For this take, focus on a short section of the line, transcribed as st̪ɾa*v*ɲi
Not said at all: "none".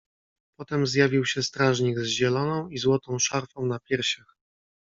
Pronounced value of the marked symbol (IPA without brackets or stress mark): ʐ